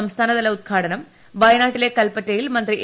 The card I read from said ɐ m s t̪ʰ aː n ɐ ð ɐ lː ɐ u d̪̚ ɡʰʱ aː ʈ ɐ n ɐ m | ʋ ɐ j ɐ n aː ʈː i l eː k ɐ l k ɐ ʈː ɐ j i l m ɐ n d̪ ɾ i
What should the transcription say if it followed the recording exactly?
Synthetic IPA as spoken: ɐ m s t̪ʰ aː n ɐ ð ɐ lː ɐ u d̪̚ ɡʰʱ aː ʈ ɐ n ɐ m | ʋ ɐ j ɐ n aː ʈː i l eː k ɐ l p ɐ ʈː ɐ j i l m ɐ n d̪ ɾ i